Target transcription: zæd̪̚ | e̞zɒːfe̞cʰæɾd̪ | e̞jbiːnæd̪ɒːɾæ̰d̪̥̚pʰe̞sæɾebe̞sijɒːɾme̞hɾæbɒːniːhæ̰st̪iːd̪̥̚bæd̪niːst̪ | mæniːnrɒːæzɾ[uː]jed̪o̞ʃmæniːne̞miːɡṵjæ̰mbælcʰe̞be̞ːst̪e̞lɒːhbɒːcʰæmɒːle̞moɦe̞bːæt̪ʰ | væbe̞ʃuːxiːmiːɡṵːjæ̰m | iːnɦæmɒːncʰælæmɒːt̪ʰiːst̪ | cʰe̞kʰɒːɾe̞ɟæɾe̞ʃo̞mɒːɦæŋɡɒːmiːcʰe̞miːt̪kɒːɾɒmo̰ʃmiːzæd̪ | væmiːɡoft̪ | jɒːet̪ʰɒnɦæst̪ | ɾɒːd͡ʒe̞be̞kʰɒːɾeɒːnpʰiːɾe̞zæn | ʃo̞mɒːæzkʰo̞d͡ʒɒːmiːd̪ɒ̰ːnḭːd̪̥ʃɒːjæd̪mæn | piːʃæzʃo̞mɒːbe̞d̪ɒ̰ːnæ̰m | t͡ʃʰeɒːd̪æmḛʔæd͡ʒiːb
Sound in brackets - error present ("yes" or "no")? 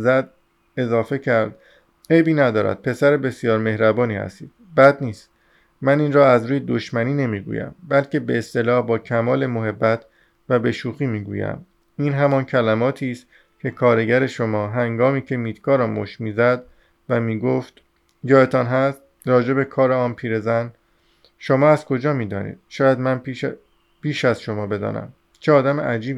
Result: no